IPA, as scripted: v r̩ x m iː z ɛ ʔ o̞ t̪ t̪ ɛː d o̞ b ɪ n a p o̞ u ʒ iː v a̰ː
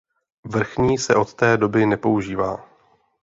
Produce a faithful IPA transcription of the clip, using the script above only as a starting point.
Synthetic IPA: v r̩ x ɲ iː s ɛ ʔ o̞ t̪ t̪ ɛː d o̞ b ɪ n ɛ p o̞ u ʒ iː v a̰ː